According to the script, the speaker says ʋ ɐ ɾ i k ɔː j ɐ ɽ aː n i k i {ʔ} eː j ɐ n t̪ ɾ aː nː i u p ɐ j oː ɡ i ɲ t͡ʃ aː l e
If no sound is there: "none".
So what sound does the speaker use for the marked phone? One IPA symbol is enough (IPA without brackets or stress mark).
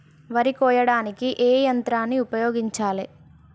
ʔ